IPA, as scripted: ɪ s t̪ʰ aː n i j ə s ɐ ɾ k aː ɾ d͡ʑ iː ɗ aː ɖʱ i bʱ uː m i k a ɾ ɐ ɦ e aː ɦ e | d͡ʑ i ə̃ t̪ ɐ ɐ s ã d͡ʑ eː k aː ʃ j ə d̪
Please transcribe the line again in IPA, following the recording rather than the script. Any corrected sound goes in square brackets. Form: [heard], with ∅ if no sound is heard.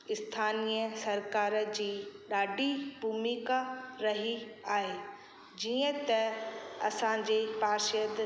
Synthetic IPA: ɪ s t̪ʰ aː n i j ə s ɐ ɾ k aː ɾ d͡ʑ iː ɗ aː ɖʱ i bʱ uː m i k a ɾ ɐ ɦ [i] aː ɦ e | d͡ʑ i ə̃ t̪ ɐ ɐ s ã d͡ʑ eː [p] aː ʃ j ə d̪